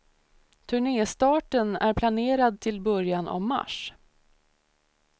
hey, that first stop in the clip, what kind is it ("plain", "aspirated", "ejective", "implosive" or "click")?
aspirated